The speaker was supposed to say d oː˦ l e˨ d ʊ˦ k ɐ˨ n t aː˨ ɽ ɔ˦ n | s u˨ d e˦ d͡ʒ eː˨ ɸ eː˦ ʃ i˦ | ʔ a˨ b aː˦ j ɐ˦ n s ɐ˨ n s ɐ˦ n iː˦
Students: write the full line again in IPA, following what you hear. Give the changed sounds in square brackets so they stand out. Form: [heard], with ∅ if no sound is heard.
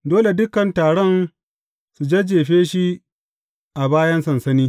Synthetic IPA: d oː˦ l e˨ d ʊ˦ k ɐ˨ n t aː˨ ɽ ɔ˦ n | s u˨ [d͡ʒ] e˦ d͡ʒ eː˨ ɸ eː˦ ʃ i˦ | ʔ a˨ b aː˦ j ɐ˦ n s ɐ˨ n s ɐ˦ n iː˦